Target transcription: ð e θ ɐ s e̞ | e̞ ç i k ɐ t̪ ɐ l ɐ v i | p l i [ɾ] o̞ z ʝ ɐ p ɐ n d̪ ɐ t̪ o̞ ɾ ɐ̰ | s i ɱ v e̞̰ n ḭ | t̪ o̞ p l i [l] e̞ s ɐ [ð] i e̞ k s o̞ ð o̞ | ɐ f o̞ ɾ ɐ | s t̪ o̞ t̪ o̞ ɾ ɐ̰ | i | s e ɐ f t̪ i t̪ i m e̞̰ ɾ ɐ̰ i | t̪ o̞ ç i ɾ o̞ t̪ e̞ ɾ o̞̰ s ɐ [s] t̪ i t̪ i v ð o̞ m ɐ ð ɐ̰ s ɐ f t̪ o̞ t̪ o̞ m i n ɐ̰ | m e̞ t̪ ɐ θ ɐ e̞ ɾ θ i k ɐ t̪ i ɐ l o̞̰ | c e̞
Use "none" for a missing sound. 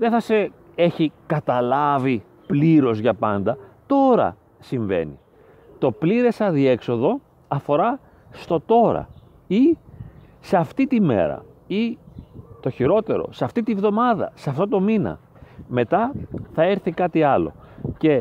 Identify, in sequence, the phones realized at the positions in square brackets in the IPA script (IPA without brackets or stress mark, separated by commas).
ɾ, ɾ, ð, f